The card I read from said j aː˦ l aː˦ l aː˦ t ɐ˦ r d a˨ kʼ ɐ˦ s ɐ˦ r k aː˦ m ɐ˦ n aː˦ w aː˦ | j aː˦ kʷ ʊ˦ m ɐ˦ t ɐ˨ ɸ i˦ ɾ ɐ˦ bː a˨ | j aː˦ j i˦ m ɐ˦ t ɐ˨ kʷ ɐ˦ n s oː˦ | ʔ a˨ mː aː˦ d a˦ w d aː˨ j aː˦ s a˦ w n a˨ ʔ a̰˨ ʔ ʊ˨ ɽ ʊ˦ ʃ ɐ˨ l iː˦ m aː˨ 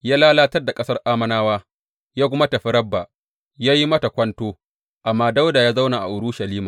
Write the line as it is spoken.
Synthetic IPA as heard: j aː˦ l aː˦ l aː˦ t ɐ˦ r d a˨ kʼ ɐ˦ s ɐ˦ r ʔ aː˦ m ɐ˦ n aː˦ w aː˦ | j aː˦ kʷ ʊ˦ m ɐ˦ t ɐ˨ ɸ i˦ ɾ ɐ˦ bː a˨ | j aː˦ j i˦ m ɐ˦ t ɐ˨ kʷ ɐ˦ n t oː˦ | ʔ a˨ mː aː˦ d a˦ w d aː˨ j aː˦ z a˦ w n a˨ ʔ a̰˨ ʔ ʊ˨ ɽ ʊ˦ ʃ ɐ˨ l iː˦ m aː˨